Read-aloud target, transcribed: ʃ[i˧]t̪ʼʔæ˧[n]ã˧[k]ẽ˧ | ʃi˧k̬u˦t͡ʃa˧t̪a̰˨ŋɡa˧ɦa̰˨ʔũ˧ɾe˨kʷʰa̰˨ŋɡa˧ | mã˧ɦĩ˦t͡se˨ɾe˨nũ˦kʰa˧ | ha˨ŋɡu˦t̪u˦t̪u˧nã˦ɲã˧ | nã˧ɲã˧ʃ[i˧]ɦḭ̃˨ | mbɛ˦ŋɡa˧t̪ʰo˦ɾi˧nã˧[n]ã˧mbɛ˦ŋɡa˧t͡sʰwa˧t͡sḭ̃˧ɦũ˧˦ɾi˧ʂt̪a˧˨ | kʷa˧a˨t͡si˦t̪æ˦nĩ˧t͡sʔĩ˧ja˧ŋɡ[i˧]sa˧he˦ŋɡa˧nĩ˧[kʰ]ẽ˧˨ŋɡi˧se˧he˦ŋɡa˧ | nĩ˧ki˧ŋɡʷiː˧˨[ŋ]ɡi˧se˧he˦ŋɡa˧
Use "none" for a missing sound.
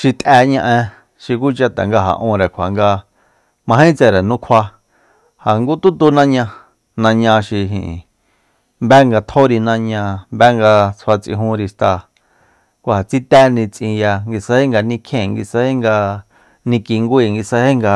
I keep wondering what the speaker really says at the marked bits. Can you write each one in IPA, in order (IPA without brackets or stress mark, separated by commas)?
i˧, ɲ, ʔ, i˧, ɲ, i˧, kʰ, ŋ